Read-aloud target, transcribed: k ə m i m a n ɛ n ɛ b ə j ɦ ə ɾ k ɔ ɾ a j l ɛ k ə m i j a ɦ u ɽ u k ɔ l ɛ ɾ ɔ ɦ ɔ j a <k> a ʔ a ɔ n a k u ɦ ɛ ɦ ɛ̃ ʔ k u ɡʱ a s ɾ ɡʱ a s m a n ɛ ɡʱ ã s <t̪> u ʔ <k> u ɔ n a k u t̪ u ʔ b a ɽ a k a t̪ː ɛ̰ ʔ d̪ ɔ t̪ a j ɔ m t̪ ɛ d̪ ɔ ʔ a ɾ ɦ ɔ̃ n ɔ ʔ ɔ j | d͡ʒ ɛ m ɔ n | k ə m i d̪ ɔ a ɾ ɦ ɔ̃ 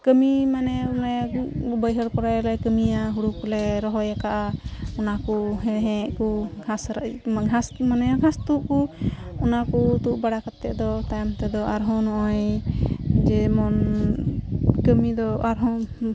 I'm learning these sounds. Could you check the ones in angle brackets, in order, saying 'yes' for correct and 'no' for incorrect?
yes, yes, yes

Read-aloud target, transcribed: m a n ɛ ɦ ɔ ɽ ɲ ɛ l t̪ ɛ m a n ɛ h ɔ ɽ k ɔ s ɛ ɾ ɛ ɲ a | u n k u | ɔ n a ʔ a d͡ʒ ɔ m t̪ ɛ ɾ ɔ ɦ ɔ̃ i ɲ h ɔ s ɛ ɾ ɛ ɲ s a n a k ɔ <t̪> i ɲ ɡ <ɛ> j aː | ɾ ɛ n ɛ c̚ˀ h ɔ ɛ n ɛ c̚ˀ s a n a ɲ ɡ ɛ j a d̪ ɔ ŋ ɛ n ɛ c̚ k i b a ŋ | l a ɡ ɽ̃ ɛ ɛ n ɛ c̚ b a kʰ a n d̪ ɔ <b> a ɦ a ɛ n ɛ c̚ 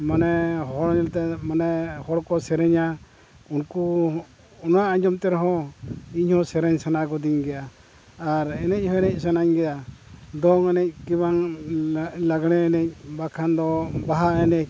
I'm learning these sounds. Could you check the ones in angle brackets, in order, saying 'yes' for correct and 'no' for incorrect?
no, yes, yes

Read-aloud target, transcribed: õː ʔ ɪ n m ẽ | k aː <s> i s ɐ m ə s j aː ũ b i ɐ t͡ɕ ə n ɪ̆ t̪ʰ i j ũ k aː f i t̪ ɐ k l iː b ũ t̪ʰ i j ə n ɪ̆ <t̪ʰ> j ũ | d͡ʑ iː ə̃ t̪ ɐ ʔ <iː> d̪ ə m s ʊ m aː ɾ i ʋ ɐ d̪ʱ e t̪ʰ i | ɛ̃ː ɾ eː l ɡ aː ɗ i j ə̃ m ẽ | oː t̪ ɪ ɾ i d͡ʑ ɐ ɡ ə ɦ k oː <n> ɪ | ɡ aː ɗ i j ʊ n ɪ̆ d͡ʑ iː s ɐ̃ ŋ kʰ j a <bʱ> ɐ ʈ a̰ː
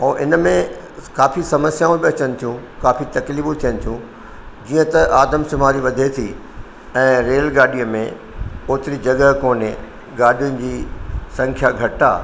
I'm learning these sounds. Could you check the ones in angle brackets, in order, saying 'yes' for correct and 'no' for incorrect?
no, yes, no, yes, no

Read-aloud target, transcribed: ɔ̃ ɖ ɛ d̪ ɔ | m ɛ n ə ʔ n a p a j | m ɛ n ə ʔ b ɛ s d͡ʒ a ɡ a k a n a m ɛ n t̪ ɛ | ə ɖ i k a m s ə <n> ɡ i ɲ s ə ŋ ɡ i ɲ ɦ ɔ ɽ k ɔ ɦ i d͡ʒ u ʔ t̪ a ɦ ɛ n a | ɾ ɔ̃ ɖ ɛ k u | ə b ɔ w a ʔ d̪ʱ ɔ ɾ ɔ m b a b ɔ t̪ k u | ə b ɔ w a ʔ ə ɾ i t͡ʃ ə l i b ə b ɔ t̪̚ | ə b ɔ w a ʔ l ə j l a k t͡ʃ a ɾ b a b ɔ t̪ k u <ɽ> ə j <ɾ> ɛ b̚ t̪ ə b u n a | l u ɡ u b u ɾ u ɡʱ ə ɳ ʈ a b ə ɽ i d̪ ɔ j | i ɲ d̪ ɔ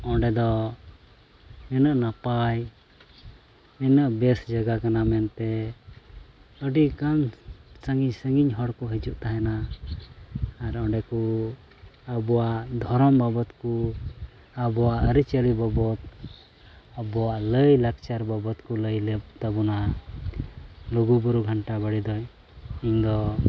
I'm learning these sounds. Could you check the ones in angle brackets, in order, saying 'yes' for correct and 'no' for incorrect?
no, no, no

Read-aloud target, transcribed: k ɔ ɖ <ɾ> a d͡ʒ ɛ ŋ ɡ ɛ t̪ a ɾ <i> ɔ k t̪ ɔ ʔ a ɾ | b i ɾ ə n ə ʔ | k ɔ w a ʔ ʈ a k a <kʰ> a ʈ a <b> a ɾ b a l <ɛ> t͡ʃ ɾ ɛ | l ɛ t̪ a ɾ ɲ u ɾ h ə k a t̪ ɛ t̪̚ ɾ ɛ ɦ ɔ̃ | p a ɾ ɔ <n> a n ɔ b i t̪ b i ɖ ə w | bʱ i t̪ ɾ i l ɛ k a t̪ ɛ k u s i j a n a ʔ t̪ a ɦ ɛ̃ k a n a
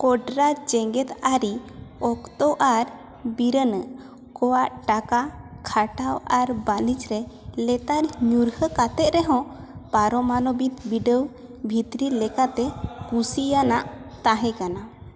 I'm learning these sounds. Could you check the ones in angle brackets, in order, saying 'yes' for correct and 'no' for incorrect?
yes, yes, yes, no, no, no

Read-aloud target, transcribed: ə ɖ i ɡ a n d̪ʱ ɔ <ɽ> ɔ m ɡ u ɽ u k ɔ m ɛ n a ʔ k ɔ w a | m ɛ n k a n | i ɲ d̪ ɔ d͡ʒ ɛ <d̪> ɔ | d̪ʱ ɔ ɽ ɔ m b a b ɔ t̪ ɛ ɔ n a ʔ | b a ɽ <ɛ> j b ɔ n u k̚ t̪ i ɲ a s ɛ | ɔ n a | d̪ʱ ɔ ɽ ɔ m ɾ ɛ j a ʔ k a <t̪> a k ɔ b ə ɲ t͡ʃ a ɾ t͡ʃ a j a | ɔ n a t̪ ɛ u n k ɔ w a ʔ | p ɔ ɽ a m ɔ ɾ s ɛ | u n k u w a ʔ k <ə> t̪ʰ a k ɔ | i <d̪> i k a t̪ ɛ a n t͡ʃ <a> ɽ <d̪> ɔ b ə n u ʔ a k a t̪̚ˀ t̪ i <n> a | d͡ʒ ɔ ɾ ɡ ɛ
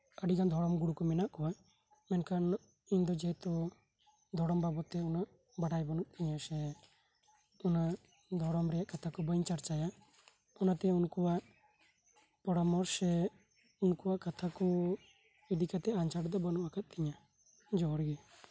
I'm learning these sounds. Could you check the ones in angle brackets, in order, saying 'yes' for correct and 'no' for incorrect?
yes, no, no, no, no, yes, yes, yes, no

